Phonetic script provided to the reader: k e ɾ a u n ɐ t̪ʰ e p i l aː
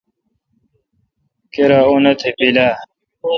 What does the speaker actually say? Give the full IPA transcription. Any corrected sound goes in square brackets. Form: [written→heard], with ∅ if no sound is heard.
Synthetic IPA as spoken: k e ɾ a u n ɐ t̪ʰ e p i l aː